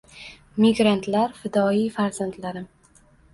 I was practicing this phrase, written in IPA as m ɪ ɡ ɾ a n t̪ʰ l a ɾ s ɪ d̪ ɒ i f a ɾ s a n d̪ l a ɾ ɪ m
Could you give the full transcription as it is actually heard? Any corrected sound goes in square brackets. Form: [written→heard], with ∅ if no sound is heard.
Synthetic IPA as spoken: m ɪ ɡ ɾ a n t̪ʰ l a ɾ [s→f] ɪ d̪ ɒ i f a ɾ [s→z] a n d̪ l a ɾ ɪ m